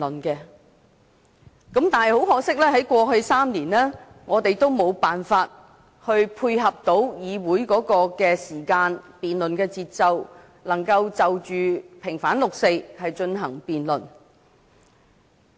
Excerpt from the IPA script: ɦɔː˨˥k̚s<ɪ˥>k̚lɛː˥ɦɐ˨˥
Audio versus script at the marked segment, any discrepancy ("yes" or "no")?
no